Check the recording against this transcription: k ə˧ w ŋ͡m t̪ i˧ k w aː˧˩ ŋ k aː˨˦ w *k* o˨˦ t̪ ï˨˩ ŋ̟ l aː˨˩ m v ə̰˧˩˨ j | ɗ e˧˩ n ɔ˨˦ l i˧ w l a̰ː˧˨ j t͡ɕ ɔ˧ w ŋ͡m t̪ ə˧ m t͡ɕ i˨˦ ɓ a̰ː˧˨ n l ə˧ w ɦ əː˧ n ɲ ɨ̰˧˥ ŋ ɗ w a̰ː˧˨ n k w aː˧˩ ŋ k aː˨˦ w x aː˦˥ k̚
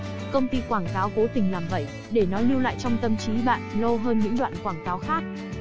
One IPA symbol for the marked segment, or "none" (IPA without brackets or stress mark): k